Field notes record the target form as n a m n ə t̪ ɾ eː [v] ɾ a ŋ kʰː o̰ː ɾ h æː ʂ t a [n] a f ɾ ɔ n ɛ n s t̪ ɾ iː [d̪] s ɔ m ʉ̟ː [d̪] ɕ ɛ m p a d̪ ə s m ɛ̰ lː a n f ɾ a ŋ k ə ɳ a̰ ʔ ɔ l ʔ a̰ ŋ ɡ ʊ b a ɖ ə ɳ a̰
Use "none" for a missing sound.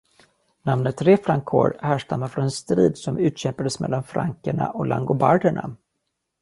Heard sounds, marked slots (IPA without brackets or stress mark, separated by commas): f, m, d̪, t̪